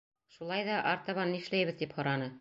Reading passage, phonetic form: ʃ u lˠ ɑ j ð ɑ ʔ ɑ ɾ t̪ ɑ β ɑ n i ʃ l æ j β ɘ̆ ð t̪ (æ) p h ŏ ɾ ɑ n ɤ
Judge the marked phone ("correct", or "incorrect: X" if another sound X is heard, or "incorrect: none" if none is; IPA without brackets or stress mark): incorrect: i